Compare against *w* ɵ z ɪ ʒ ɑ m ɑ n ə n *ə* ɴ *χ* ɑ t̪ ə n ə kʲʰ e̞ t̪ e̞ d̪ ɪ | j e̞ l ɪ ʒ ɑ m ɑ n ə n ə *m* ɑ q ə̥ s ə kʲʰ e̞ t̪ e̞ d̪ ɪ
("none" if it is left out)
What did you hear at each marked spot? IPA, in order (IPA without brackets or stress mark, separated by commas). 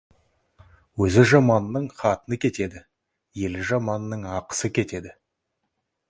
w, ə, χ, ɴ